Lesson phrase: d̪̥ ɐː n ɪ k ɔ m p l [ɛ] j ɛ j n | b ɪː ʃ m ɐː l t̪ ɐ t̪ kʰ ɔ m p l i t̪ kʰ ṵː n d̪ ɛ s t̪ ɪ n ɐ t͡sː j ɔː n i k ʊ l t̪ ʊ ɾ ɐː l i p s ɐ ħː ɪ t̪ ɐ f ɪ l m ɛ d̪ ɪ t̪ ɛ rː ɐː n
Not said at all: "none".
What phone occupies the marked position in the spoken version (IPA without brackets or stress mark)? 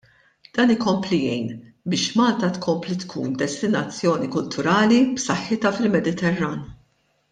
i